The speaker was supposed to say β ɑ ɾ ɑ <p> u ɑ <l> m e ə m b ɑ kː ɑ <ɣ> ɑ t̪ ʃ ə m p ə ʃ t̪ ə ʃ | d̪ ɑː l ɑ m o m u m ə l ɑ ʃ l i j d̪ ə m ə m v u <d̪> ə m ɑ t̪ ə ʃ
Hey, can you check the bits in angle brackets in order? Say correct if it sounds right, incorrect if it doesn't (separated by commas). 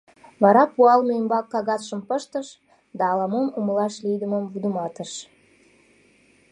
correct, correct, correct, correct